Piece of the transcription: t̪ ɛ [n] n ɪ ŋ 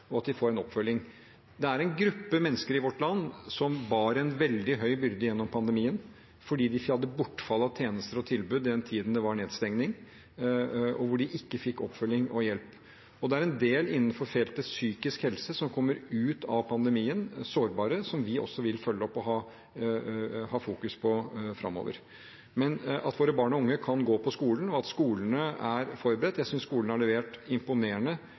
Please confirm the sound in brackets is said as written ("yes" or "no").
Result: no